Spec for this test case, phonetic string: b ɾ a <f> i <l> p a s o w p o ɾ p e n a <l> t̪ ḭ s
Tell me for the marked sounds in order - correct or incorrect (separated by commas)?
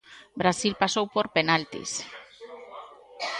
incorrect, correct, correct